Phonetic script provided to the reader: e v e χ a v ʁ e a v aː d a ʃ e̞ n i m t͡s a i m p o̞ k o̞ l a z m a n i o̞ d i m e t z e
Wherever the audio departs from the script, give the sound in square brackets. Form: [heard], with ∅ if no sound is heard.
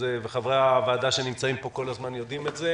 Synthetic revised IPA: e v e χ a v ʁ e a v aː d a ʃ e̞ n i m t͡s a i m p o̞ k o̞ l a z m a n [j] o̞ d i m e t z e